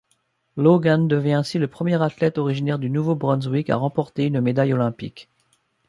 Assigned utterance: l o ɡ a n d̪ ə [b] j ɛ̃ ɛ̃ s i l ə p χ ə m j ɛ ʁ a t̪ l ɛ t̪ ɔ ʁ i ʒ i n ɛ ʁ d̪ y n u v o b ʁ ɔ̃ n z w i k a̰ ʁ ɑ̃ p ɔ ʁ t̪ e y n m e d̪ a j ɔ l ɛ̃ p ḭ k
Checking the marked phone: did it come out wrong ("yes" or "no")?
yes